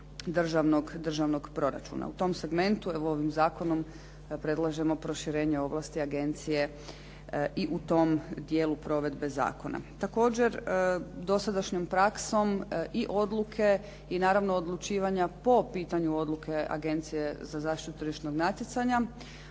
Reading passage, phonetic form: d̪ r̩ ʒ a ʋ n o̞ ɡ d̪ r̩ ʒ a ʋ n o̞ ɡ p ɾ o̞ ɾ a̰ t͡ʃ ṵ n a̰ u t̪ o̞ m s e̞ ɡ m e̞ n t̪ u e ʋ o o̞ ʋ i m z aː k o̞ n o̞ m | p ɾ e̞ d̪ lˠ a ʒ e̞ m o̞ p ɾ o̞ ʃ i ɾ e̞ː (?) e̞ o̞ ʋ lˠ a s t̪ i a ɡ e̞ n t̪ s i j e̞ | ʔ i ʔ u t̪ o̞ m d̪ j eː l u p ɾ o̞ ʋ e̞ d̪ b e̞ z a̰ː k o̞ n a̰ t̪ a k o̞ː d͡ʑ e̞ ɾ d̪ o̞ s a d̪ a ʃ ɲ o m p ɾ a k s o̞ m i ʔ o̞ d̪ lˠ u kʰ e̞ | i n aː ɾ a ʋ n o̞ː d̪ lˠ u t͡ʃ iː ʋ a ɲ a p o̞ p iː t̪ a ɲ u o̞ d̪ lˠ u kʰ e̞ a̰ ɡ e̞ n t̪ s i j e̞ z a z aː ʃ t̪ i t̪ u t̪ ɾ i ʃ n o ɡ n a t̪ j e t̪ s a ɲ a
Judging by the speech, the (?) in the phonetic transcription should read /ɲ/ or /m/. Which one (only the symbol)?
ɲ